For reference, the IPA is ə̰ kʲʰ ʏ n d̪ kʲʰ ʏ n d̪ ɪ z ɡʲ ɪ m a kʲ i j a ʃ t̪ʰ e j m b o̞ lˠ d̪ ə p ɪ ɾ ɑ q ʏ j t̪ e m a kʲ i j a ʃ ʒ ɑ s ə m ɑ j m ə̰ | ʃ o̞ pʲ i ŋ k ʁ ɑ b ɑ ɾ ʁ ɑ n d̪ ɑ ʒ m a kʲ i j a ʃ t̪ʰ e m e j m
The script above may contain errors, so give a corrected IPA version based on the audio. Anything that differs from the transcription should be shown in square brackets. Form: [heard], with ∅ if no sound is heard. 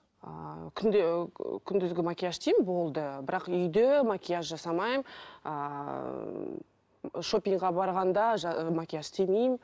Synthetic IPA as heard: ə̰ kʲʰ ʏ n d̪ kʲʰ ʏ n d̪ ɪ z ɡʲ ɪ m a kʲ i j a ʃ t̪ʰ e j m b o̞ lˠ d̪ ə [b] ɪ ɾ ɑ q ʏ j [d̪] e m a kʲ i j a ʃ ʒ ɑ s [ɑ] m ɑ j m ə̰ | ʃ o̞ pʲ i ŋ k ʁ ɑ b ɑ ɾ ʁ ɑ n d̪ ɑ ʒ m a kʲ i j a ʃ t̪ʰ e m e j m

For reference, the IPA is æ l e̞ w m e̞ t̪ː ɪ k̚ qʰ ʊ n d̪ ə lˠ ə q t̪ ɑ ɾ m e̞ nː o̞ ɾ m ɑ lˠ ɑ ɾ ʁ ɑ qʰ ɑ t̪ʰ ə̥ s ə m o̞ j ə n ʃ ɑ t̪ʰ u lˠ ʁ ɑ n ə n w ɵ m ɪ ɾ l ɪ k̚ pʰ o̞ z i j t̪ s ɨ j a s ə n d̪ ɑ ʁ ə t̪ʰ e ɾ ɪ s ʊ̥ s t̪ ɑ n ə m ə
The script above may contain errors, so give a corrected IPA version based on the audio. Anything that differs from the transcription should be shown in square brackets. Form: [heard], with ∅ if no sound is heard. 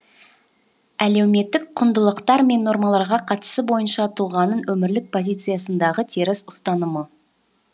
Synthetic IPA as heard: æ l e̞ w m e̞ t̪ː ɪ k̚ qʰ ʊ n d̪ ə lˠ ə q t̪ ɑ ɾ m e̞ nː o̞ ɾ m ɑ lˠ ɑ ɾ ʁ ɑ qʰ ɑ [t̪] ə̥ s ə [b] o̞ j ə n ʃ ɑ t̪ʰ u lˠ ʁ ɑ n ə n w ɵ m ɪ ɾ l ɪ k̚ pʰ o̞ z i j t̪ s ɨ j a s ə n d̪ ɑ ʁ ə t̪ʰ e ɾ ɪ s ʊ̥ s t̪ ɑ n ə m ə

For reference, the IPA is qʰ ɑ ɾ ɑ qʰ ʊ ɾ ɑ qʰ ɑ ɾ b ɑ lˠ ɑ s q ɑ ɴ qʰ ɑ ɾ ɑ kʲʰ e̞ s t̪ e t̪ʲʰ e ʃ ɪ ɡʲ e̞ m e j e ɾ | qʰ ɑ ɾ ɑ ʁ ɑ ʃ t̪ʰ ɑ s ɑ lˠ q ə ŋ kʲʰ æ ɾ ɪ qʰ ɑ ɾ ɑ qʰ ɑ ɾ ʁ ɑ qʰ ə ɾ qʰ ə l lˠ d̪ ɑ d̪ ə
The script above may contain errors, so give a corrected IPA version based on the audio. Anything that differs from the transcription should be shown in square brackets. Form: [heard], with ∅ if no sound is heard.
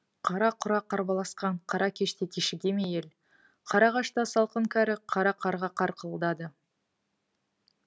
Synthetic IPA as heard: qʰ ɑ ɾ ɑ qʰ ʊ ɾ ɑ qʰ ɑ ɾ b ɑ lˠ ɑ s q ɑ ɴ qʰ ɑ ɾ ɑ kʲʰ e̞ [ʃ] t̪ e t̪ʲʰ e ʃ ɪ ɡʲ e̞ m e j e [l] | qʰ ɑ ɾ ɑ ʁ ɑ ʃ [t̪] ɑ s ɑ lˠ q ə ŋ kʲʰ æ ɾ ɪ qʰ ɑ ɾ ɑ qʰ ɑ ɾ ʁ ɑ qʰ [ɑ] ɾ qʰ ə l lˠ d̪ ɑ d̪ ə

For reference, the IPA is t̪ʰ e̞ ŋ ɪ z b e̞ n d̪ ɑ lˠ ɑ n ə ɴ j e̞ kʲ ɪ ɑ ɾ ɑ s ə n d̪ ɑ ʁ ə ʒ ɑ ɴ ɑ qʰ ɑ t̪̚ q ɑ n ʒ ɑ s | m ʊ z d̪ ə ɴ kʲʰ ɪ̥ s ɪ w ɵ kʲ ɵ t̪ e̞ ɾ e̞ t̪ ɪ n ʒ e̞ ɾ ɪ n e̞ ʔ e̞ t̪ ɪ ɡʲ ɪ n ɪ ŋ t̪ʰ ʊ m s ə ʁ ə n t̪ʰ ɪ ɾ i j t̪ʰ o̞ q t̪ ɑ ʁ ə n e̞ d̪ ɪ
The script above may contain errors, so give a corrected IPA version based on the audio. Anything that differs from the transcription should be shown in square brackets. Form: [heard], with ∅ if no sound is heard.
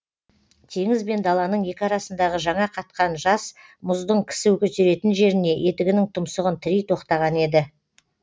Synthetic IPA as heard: t̪ʰ e̞ ŋ ɪ z b e̞ n d̪ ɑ lˠ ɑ n ə ɴ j e̞ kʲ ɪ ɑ ɾ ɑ s ə n d̪ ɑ ʁ ə ʒ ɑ ɴ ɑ qʰ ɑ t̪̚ q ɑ n ʒ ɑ s | m ʊ z d̪ ə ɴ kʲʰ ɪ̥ s ɪ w ɵ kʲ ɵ t̪ e̞ ɾ e̞ t̪ ɪ n ʒ e̞ ɾ ɪ n e̞ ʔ e̞ t̪ ɪ ɡʲ ɪ n ɪ ŋ t̪ʰ ʊ m s ə ʁ ə n t̪ʰ ɪ ɾ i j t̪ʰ o̞ q t̪ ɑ ʁ [ɑ] n e̞ d̪ ɪ

